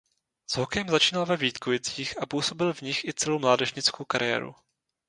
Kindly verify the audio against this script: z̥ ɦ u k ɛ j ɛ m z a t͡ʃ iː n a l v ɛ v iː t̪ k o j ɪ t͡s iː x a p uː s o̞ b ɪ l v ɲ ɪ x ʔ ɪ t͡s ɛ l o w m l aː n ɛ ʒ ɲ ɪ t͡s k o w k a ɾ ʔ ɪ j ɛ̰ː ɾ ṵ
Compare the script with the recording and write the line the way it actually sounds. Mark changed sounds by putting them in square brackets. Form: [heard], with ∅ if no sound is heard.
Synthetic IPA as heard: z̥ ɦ [o] k ɛ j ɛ m z a t͡ʃ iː n a l v ɛ v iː t̪ k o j ɪ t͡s iː x a p uː s o̞ b ɪ l v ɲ ɪ x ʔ ɪ t͡s ɛ l o w m l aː [d] ɛ ʒ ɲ ɪ t͡s k o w k a ɾ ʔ ɪ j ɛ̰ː ɾ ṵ